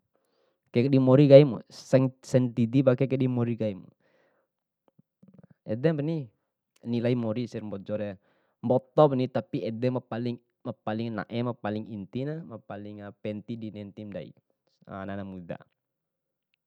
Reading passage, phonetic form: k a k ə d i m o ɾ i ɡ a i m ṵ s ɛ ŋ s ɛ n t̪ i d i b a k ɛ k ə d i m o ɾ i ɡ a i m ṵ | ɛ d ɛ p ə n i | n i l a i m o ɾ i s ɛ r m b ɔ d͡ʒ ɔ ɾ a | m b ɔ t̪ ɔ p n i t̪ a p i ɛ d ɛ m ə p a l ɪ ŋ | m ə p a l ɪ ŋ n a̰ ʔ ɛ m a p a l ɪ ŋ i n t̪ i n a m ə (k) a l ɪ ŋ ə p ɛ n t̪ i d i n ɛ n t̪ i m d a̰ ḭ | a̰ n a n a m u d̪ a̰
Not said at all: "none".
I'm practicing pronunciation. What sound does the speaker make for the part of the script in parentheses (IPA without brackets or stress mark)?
p